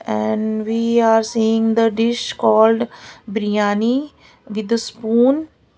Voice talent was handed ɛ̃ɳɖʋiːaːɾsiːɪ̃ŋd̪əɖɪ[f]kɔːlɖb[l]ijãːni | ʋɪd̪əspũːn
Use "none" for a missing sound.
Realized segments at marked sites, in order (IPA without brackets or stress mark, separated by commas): ʃ, ɾ